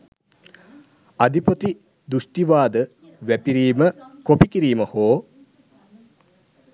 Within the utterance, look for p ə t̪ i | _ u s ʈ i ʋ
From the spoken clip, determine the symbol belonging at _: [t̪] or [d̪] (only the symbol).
d̪